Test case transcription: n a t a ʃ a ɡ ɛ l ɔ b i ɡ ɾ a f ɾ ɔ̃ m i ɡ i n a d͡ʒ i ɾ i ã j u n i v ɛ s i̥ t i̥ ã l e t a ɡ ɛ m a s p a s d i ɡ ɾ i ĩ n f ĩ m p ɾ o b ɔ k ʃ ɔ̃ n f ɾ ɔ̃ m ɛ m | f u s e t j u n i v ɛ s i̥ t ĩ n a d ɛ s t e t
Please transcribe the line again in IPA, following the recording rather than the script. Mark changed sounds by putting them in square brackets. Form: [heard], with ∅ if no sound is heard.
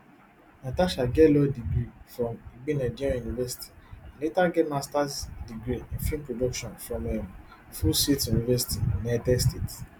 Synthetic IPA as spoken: n a t a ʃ a ɡ ɛ l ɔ [d] i ɡ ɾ [i] f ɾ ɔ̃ m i [ɡ͡b] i n a d͡ʒ i ɾ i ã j u n i v ɛ s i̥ t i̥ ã l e t a ɡ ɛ m a s [t] a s d i ɡ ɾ i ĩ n f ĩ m p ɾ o [d] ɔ k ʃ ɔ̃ n f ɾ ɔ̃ m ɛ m | f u s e t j u n i v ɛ s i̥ t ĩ n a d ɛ s t e t